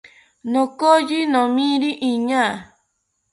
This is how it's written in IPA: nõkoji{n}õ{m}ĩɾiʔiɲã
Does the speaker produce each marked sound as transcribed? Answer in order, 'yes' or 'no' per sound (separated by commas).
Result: yes, yes